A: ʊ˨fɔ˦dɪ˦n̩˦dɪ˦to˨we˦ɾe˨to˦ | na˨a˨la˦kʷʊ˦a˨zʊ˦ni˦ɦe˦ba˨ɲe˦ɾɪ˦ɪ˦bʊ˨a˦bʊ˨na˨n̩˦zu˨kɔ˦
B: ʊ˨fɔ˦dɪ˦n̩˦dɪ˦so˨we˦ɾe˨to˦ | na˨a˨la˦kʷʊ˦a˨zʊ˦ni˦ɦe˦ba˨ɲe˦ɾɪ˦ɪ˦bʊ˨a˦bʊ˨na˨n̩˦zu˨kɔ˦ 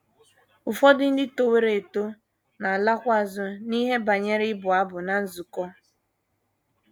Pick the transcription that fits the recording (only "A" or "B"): A